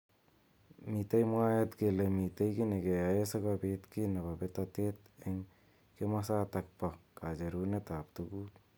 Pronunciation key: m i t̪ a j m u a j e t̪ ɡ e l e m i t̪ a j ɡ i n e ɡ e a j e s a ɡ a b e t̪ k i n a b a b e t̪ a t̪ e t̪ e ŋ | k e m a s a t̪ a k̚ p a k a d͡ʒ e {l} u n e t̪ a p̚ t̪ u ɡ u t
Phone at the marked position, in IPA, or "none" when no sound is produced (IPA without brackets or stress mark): ɾ